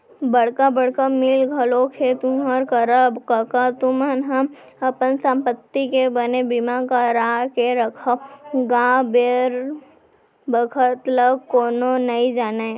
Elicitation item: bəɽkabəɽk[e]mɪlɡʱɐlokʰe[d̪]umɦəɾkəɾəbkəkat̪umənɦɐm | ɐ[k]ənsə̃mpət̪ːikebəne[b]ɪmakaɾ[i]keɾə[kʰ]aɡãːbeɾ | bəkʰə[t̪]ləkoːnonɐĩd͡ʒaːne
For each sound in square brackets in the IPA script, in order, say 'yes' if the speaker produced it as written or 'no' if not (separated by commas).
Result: no, no, no, yes, no, yes, yes